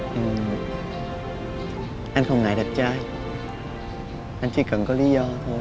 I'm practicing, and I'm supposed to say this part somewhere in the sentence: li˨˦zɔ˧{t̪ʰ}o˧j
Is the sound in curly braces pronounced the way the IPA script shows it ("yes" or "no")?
yes